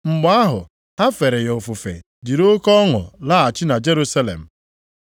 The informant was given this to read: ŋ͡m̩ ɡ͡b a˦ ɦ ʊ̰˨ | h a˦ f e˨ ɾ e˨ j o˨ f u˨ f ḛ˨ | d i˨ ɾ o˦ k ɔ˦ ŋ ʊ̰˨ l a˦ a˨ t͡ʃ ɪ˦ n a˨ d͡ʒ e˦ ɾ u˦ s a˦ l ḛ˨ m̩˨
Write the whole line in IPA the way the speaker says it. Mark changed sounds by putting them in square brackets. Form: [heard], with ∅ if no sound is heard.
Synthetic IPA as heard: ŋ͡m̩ ɡ͡b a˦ ɦ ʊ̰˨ | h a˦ f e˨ ɾ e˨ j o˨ f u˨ f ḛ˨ | d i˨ ɾ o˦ k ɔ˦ ŋ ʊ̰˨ l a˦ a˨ t͡ʃ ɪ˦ n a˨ d͡ʒ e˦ ɾ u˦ s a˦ l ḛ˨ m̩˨